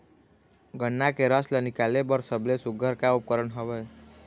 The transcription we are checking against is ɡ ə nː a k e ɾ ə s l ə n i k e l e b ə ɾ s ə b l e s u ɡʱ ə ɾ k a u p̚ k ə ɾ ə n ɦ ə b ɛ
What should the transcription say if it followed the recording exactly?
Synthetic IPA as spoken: ɡ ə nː a k e ɾ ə s l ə n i k a l e b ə ɾ s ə b l e s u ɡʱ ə ɾ k a u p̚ k ə ɾ ə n ɦ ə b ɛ